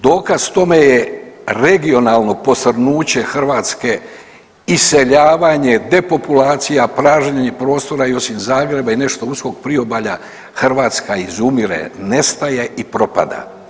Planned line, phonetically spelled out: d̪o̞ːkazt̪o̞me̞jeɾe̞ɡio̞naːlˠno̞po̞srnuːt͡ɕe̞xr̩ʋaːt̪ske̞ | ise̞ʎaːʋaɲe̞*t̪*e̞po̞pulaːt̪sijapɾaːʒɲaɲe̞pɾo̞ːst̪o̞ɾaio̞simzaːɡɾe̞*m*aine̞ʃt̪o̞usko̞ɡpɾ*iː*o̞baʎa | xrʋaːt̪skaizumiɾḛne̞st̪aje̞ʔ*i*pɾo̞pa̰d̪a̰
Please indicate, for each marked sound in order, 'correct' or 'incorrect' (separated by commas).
incorrect, incorrect, incorrect, correct